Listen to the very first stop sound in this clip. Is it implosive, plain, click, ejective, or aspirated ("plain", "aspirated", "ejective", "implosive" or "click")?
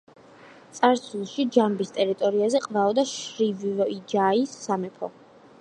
plain